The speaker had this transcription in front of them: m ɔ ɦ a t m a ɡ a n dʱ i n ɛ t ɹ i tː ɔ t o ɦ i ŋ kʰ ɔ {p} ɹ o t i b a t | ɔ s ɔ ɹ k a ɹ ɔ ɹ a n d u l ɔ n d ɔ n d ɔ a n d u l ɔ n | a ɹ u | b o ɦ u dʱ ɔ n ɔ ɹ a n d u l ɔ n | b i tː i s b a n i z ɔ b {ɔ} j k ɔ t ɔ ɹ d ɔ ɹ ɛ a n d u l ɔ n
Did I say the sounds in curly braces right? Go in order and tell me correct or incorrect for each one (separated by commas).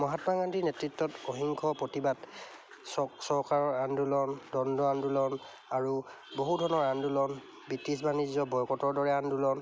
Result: correct, correct